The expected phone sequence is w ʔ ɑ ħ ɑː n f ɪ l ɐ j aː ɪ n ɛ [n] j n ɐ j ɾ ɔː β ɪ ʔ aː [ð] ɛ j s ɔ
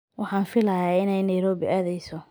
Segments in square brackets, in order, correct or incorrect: incorrect, correct

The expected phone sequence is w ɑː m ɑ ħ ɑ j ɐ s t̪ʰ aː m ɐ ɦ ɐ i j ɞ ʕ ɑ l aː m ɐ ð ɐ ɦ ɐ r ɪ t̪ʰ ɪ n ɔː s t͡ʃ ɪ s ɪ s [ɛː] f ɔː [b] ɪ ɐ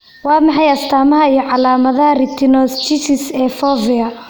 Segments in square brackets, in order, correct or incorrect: correct, incorrect

